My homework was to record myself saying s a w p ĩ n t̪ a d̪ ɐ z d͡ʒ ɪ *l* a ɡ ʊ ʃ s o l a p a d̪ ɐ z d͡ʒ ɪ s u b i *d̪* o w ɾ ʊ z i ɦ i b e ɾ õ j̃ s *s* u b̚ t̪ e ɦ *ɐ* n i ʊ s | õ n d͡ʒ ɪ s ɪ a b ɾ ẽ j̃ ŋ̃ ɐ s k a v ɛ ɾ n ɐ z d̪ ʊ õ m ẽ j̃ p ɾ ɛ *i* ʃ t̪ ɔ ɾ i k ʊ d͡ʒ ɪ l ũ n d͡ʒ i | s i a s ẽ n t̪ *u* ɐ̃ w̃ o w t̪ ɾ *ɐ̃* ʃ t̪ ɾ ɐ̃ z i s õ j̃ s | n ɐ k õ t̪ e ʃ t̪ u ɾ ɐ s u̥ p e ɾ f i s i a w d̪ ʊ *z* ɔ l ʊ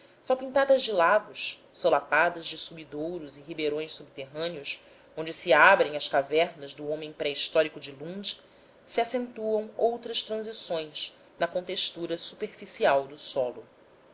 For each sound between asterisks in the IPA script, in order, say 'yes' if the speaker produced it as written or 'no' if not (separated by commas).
yes, yes, yes, no, yes, yes, no, no